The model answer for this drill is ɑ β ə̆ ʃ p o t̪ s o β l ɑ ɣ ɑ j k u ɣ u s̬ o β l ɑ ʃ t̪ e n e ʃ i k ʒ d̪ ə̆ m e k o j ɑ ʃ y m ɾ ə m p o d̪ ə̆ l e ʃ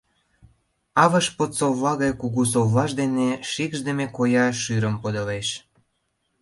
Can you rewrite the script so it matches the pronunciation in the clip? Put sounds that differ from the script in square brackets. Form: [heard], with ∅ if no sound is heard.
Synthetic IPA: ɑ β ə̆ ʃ p o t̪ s o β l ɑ ɣ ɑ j k u ɣ u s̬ o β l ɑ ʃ [d̪] e n e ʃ i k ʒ d̪ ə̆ m e k o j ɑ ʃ y [∅] ɾ ə m p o d̪ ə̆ l e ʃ